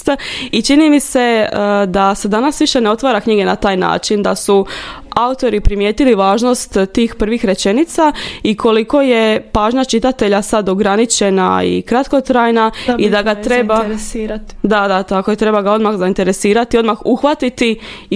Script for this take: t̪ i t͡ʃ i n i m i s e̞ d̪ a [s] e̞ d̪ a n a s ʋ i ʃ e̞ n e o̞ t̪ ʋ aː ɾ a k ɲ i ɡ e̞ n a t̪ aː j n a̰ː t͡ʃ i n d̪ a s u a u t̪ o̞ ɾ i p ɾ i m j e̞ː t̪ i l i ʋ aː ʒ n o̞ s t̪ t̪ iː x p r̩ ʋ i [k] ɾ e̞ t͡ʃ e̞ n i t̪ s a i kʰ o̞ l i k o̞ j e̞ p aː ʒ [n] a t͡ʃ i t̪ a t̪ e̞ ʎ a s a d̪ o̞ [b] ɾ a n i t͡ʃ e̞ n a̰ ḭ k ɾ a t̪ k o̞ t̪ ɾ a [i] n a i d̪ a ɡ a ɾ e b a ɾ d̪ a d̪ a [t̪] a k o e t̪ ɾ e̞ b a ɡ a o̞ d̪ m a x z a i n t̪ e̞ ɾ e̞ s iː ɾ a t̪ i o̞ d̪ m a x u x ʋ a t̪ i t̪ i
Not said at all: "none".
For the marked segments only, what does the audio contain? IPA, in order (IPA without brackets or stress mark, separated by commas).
s, x, ɲ, ɡ, j, t̪